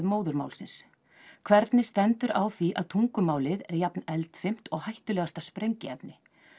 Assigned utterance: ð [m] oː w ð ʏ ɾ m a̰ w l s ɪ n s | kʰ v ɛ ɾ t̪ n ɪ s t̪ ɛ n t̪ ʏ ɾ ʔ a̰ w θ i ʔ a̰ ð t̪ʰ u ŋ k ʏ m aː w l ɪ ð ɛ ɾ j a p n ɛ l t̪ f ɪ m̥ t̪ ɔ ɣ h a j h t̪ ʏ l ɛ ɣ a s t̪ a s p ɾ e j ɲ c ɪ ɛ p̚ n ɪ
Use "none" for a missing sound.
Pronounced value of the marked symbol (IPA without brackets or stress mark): m